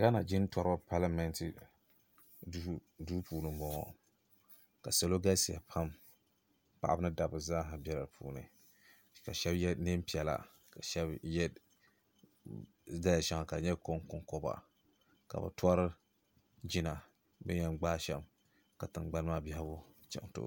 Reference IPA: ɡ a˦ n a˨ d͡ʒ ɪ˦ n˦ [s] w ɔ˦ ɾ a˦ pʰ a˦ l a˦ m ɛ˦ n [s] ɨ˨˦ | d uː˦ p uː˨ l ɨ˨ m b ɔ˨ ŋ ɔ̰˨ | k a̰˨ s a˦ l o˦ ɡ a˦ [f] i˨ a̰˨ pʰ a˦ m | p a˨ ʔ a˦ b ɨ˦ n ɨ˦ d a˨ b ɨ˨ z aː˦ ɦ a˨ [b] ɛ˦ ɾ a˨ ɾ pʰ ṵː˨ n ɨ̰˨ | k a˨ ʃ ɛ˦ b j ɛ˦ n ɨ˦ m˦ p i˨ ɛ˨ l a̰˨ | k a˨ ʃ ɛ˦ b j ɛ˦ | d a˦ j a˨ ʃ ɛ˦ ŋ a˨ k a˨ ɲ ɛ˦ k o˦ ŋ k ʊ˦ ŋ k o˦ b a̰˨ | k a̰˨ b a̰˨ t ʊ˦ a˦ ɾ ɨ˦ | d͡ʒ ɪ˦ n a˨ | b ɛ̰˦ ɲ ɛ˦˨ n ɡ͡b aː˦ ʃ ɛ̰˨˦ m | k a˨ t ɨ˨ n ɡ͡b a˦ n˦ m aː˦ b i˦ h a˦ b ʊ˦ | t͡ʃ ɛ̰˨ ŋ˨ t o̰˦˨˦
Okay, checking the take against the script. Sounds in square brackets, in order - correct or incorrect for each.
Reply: incorrect: t, incorrect: t, incorrect: s, correct

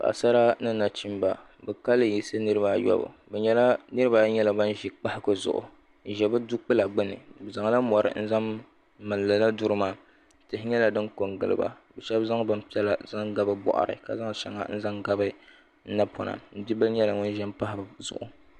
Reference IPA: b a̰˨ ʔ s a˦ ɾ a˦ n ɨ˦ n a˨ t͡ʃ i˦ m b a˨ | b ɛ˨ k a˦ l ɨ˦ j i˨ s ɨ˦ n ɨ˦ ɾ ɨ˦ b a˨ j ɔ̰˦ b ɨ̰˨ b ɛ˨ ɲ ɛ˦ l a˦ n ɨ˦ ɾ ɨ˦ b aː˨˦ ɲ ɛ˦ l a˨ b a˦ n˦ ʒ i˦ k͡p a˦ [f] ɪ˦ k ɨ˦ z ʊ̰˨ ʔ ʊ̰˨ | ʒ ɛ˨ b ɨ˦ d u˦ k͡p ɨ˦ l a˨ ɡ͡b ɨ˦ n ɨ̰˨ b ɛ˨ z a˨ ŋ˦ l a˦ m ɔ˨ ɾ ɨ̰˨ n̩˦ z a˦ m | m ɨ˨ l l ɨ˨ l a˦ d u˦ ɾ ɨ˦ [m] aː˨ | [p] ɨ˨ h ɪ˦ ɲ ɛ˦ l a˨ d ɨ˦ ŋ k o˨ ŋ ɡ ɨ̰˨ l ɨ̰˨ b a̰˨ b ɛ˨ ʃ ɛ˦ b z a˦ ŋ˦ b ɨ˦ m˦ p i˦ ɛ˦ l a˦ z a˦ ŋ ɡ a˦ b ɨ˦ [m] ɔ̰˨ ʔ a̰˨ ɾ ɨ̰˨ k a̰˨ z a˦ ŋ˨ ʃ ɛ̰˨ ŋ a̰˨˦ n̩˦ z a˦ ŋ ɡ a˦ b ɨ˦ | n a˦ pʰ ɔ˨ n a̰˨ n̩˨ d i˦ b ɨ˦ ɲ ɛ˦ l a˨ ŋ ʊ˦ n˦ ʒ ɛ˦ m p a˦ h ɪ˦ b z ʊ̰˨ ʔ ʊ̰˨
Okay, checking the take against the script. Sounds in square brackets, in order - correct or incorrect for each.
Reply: incorrect: h, correct, incorrect: t, incorrect: b

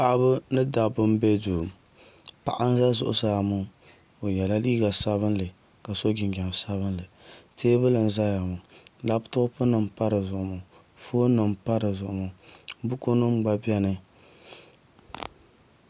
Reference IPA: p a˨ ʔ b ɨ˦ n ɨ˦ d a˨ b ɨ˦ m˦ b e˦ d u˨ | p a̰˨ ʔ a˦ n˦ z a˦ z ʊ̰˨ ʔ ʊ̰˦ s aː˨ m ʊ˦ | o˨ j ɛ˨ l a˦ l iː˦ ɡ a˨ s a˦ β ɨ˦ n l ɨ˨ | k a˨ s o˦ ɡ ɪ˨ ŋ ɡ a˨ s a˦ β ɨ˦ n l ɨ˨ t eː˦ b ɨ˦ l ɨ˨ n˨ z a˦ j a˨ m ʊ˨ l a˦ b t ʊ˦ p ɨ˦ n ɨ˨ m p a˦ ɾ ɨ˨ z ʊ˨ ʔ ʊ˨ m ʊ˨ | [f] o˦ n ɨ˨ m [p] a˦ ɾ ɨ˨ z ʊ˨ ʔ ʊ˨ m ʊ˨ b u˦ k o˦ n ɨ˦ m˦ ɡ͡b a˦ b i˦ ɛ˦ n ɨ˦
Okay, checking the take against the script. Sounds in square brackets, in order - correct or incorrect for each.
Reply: correct, correct

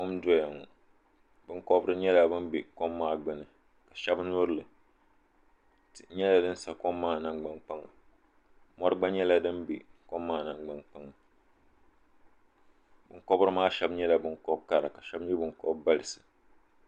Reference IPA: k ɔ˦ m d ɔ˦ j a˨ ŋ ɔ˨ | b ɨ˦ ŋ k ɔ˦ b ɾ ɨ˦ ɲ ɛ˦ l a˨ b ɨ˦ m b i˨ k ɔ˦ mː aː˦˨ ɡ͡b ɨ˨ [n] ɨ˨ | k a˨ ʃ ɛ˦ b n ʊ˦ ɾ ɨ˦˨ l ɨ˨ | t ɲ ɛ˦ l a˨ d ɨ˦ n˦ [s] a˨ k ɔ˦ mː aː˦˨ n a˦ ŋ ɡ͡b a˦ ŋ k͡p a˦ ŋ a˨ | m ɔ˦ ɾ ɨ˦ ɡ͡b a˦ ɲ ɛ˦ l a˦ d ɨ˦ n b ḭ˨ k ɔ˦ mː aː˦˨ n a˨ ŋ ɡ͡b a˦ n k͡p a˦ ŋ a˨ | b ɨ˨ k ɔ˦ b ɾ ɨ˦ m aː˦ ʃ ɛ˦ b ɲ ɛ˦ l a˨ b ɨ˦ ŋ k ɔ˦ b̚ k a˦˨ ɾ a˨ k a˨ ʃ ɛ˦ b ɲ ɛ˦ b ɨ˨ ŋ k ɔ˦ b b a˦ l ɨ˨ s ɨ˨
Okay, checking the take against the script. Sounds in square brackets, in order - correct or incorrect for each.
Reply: correct, correct

